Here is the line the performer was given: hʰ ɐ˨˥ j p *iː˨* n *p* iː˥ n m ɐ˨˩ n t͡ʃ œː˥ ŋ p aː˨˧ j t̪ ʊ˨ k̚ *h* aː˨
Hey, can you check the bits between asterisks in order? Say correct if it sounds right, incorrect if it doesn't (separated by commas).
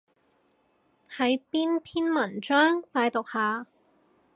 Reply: incorrect, incorrect, correct